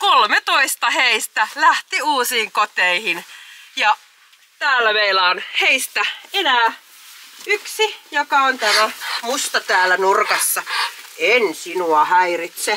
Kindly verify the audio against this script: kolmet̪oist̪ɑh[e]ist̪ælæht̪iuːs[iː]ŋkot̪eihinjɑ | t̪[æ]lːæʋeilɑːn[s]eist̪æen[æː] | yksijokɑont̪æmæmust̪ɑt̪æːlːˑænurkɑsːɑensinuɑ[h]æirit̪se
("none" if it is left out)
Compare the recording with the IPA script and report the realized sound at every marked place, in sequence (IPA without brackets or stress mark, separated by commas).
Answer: e, iː, æː, h, æː, h